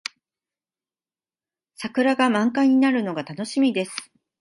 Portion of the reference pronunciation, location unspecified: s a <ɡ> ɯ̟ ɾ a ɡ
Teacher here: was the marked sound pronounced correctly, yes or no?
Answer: no